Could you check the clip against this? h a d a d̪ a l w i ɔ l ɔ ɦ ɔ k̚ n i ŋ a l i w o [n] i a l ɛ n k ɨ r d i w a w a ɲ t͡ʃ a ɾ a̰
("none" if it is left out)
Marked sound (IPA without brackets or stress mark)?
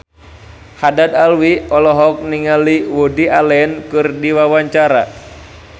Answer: d